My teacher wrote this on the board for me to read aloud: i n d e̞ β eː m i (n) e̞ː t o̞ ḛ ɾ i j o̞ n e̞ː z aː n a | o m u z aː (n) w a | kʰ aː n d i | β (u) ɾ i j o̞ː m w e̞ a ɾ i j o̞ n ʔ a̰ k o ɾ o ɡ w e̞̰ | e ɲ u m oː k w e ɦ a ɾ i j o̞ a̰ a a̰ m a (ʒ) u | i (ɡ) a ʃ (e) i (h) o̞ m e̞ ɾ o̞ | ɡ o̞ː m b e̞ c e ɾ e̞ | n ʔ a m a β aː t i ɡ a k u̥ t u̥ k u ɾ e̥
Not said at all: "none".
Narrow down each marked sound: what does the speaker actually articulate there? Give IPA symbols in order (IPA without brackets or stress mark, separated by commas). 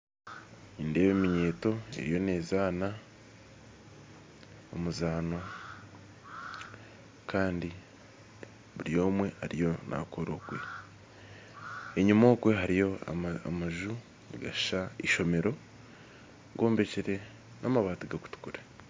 ɲ, n, u, ʒ, ɡ, a, ʃ